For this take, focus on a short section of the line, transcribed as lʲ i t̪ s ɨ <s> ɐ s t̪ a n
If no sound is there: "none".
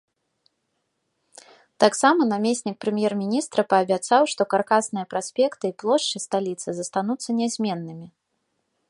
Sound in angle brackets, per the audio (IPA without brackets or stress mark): z